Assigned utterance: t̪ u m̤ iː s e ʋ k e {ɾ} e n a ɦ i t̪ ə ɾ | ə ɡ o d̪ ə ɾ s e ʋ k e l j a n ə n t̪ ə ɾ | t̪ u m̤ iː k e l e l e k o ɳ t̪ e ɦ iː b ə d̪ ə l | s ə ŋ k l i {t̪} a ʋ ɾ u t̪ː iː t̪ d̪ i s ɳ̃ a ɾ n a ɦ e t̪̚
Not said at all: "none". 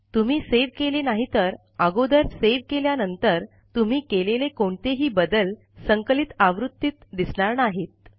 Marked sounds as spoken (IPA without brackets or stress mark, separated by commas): l, t̪